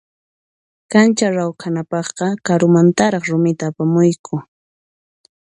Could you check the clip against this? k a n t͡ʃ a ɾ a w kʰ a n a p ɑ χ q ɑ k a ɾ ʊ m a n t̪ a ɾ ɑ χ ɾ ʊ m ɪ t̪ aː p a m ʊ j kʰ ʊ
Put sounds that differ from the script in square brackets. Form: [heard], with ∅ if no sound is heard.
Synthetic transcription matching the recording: k a n t͡ʃ a ɾ a w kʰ a n a p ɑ χ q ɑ k a ɾ ʊ m a n t̪ a ɾ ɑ χ ɾ ʊ m ɪ t̪ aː p a m ʊ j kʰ ʊ